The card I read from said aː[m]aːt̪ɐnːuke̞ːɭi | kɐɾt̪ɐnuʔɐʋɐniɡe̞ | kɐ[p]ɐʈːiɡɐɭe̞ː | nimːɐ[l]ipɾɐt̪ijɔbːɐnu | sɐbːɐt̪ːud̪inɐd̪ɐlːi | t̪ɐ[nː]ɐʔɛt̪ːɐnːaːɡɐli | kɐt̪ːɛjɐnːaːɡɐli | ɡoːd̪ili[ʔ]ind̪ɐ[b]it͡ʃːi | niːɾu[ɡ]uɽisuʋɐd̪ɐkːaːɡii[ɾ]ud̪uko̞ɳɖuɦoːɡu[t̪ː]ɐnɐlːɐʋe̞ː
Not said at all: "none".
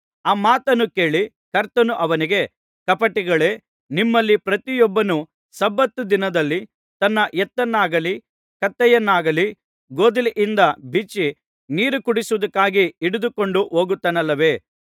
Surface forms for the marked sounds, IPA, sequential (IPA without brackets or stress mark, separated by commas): m, p, lː, nː, ʔ, b, k, ɽ, t̪ː